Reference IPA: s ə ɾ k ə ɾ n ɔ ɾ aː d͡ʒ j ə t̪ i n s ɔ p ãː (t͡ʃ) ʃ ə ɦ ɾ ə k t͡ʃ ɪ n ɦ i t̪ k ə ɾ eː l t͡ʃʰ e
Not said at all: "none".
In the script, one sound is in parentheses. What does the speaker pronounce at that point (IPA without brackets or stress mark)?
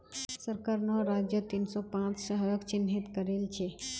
t͡ʃ